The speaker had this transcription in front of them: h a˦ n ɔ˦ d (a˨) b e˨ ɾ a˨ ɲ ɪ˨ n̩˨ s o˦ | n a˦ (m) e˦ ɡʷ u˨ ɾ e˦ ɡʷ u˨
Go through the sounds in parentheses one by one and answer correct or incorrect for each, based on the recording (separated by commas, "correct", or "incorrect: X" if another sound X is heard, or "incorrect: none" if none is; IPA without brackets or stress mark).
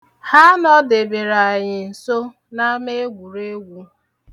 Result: incorrect: e˨, correct